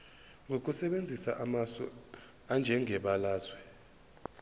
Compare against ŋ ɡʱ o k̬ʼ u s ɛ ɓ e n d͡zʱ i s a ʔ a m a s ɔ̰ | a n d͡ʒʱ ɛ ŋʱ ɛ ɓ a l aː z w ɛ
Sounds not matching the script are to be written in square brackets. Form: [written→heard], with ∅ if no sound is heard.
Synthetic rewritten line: ŋ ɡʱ o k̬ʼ u s ɛ ɓ e n d͡zʱ i s a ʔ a m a s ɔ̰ | a n d͡ʒʱ ɛ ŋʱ ɛ ɓ a l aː z w ɛ